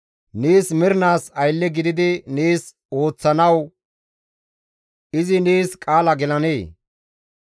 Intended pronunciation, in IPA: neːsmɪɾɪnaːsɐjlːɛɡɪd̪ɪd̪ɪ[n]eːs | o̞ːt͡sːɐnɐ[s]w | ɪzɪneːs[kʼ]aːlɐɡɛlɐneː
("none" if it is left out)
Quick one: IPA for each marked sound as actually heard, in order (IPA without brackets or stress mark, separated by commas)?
n, none, kʼ